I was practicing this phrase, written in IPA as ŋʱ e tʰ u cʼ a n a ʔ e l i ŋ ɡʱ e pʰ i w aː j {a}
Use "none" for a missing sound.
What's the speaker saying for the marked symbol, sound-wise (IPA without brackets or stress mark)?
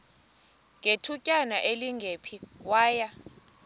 a